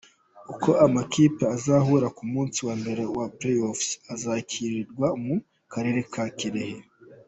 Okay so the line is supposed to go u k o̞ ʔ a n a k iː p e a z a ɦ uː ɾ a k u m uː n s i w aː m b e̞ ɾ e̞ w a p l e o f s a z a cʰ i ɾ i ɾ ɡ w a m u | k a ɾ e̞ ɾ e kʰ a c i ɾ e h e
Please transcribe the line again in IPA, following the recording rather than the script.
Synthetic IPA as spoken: u k o̞ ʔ a m a k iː p e a z a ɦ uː ɾ a k u m uː n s i w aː m b e̞ ɾ e̞ w a p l e o f s a z a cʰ i ɾ i ɾ ɡ w a m u | k a ɾ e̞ ɾ e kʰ a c i ɾ e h e